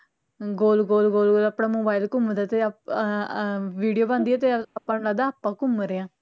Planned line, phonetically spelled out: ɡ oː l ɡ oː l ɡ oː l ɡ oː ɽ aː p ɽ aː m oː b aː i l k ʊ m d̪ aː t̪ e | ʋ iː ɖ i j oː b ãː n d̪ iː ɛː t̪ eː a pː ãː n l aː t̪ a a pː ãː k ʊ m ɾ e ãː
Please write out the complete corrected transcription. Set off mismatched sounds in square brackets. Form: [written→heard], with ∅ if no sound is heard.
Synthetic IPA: ɡ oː l ɡ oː l ɡ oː l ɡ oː [ɽ→l] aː p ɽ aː m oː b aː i l k ʊ m d̪ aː t̪ e | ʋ iː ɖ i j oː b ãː n d̪ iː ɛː t̪ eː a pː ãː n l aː [t̪→d̪] a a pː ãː k ʊ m ɾ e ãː